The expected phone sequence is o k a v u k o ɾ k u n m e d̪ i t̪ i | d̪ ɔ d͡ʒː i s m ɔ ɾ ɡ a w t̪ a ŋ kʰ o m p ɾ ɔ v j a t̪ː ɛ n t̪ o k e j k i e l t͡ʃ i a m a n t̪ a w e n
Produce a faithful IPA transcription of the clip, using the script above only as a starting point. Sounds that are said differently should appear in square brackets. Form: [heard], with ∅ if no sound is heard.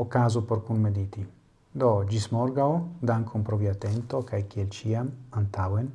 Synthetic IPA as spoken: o k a [z] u [p] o ɾ k u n m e d̪ i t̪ i | d̪ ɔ [d͡ʒ] i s m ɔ ɾ ɡ a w [d̪] a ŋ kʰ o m p ɾ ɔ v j a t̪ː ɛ n t̪ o k [a] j k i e l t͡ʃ i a m a n t̪ a w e n

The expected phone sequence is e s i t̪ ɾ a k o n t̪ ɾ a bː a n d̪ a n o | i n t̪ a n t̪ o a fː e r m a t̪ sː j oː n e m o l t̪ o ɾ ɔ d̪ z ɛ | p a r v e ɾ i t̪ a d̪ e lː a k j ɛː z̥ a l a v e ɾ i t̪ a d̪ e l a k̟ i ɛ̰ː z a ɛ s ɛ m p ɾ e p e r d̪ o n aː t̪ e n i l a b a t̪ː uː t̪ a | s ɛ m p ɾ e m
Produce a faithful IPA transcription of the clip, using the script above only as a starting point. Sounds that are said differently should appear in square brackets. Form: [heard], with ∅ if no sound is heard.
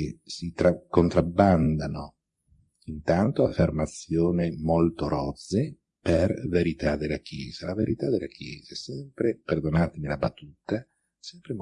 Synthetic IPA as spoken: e s i t̪ ɾ a k o n t̪ ɾ a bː a n d̪ a n o | i n t̪ a n t̪ o a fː e r m a t̪ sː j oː n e m o l t̪ o ɾ ɔ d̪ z [e] | p [e] r v e ɾ i t̪ a d̪ e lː a k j ɛː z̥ a l a v e ɾ i t̪ a d̪ e l a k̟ [j] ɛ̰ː z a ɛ s ɛ m p ɾ e p e r d̪ o n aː t̪ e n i l a b a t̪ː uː t̪ a | s ɛ m p ɾ e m

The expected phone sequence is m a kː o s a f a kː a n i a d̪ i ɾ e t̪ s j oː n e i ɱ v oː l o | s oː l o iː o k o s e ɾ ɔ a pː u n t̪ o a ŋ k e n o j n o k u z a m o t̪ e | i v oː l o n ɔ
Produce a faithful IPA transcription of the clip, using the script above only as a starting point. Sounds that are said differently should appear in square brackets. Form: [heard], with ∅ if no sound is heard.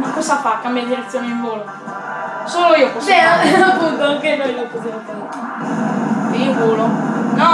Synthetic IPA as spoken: m a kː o s a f a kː a [m] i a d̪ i ɾ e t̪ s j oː n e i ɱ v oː l o | s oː l o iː o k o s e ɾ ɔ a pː u n t̪ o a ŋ k e n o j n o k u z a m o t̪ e | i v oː l o n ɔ

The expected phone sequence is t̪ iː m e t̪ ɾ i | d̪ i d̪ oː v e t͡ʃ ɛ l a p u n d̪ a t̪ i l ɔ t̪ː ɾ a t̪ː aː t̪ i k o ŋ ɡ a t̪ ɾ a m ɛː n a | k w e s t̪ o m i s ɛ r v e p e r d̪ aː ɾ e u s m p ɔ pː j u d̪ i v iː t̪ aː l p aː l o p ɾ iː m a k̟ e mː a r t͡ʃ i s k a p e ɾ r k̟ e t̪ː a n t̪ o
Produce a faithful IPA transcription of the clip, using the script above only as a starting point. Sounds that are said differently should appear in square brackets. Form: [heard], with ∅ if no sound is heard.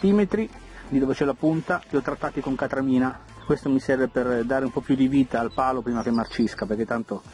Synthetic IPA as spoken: t̪ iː m e t̪ ɾ i | d̪ i d̪ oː v e t͡ʃ ɛ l a p u n [t̪] a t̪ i [∅] ɔ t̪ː ɾ a t̪ː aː t̪ i k o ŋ [k] a t̪ ɾ a m [iː] n a | k w e s t̪ o m i s ɛ r v e p e r d̪ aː ɾ e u [∅] m p ɔ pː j u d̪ i v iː t̪ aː l p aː l o p ɾ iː m a k̟ e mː a r t͡ʃ i s k a p e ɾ r k̟ e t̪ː a n t̪ o

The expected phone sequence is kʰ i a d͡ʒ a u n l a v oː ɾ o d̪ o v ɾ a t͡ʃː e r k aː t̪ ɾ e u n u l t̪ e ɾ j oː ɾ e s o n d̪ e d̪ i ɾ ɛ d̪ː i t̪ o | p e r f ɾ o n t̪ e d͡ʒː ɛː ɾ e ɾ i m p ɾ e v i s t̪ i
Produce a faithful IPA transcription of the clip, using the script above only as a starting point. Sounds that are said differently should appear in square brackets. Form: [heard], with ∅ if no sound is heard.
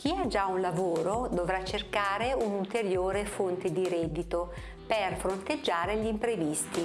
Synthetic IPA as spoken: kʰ i a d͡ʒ a u n l a v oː ɾ o d̪ o v ɾ a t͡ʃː e r k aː [∅] ɾ e u n u l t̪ e ɾ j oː ɾ e [f] o n [t̪] e d̪ i ɾ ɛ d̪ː i t̪ o | p e r f ɾ o n t̪ e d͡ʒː [aː] ɾ e [ʎ] i m p ɾ e v i s t̪ i

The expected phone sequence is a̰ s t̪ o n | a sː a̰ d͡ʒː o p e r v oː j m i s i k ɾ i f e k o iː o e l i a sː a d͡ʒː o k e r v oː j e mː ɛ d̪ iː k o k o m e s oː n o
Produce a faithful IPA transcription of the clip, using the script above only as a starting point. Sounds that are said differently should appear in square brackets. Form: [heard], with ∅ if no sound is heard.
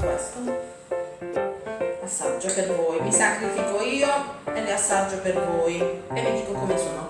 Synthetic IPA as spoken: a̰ s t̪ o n | a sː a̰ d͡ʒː o p e r v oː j m i s [a] k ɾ i f [i] k o iː o e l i a sː a d͡ʒː o [p] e r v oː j e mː [i] d̪ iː k o k o m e s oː n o

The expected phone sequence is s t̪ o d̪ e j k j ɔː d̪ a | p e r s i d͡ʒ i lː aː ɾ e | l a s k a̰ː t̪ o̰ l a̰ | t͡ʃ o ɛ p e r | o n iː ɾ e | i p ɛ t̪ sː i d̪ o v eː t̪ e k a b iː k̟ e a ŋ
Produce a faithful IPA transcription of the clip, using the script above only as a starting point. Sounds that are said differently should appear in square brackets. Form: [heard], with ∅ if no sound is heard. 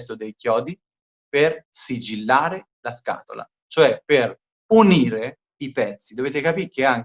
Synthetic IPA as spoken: s t̪ o d̪ e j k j ɔː d̪ [i] | p e r s i d͡ʒ i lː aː ɾ e | l a s k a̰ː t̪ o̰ l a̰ | t͡ʃ o ɛ p e r | [u] n iː ɾ e | i p ɛ t̪ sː i d̪ o v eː t̪ e k a [p] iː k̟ e a ŋ

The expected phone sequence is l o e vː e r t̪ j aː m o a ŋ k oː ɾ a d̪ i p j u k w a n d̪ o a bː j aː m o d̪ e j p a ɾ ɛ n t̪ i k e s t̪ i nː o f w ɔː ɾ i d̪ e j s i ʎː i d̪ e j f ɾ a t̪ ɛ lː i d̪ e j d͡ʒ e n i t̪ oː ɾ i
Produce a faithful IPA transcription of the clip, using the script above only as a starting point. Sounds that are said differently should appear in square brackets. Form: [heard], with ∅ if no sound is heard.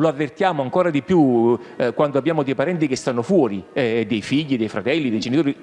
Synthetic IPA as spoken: l o [a] vː e r t̪ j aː m o a ŋ k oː ɾ a d̪ i p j u k w a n d̪ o a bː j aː m o d̪ e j p a ɾ ɛ n t̪ i k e s t̪ [a] nː o f w ɔː ɾ i d̪ e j [f] i ʎː i d̪ e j f ɾ a t̪ ɛ lː i d̪ e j d͡ʒ e n i t̪ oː ɾ i

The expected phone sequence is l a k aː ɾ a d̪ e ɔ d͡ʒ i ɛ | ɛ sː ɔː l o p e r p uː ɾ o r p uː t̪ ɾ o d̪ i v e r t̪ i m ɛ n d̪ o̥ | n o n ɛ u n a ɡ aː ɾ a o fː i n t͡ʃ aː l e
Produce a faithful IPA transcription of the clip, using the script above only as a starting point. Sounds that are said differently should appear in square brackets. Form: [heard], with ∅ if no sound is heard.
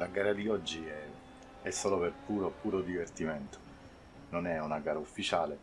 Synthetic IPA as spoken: l a [ɡ] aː ɾ a d̪ [i] ɔ [d͡ʒː] i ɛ | ɛ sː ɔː l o p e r p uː ɾ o [∅] p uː [∅] ɾ o d̪ i v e r t̪ i m ɛ n [t̪] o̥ | n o n ɛ u n a ɡ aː ɾ a [u] fː i [∅] t͡ʃ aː l e

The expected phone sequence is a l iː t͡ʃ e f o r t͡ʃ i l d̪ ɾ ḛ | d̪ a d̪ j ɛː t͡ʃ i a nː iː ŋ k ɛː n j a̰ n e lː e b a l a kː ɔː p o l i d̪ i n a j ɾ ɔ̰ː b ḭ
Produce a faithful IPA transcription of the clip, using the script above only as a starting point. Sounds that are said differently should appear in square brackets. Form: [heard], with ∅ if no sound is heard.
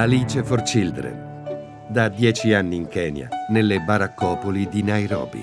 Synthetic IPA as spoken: a l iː t͡ʃ e f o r t͡ʃ i l d̪ ɾ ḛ | d̪ a d̪ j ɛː t͡ʃ i a nː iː ŋ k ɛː n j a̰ n e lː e b a [ɾ] a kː ɔː p o l i d̪ i n a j ɾ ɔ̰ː b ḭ

